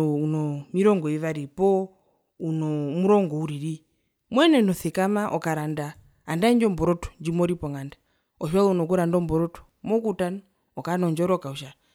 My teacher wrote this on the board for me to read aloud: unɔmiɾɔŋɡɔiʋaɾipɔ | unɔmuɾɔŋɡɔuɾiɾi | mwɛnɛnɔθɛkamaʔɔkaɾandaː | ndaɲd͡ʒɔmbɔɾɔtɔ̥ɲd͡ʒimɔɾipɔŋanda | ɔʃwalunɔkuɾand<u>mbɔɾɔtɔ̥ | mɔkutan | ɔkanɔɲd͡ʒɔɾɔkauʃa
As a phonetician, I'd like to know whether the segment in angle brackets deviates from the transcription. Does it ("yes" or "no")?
yes